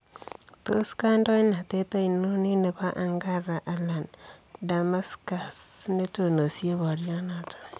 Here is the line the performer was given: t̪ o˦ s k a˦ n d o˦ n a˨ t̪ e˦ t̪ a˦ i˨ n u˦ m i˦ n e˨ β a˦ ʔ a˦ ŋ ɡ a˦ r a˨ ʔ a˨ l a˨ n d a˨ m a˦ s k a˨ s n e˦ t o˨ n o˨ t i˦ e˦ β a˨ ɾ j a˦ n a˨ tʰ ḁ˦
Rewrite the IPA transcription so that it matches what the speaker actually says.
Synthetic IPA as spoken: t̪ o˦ s k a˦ n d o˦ n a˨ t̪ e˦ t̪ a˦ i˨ n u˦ n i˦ n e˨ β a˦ ʔ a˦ ŋ ɡ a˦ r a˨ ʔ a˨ l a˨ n d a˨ m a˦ s k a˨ s n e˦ t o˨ n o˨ s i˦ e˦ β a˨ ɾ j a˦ n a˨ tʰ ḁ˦